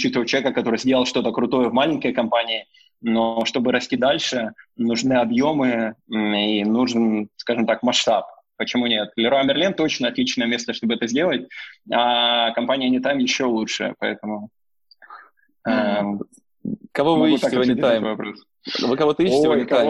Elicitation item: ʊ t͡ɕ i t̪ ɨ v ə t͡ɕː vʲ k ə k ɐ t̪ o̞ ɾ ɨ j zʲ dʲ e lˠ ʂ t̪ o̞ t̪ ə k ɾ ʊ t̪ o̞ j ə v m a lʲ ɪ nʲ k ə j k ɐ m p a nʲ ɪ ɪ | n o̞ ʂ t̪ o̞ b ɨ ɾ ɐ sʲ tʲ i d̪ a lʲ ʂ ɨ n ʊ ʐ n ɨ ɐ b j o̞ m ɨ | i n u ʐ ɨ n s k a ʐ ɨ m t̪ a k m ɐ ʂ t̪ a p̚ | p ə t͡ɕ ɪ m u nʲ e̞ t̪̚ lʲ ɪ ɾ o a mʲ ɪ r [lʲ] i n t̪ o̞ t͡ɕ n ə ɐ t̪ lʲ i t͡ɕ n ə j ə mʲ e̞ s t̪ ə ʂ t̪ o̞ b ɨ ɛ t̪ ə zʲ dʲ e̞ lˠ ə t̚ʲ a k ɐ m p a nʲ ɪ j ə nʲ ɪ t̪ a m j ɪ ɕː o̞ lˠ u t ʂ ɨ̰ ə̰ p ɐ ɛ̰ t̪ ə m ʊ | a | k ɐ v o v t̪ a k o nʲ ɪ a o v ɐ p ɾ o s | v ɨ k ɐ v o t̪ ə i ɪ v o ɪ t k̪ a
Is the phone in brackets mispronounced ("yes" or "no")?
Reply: no